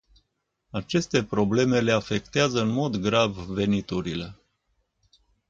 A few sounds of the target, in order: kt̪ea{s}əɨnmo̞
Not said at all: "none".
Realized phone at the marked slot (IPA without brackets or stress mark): z